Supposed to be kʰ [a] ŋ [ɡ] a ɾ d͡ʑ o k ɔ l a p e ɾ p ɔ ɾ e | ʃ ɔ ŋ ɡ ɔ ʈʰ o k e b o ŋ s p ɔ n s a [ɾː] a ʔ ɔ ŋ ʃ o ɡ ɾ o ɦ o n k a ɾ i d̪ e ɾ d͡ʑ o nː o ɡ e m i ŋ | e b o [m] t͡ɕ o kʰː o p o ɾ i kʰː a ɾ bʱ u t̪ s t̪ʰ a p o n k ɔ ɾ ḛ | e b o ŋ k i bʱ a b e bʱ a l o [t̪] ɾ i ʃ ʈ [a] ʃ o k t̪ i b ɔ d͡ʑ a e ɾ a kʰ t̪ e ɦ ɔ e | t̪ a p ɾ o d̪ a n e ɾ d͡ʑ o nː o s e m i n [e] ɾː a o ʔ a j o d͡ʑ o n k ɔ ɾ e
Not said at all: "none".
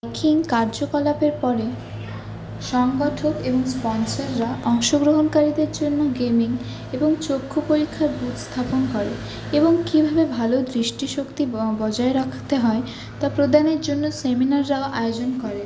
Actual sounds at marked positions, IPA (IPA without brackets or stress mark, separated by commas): i, k, ɾː, ŋ, d̪, i, a